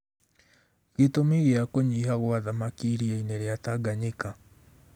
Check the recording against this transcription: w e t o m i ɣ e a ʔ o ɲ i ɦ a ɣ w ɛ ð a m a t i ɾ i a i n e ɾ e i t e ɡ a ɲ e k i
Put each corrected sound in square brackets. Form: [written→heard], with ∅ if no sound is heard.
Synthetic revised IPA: [w→ɣ] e t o m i ɣ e a [ʔ→k] o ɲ i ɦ a ɣ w [ɛ→a] ð a m a [t→k] i ɾ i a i n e ɾ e [i→a] t [e→a] ɡ a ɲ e k [i→a]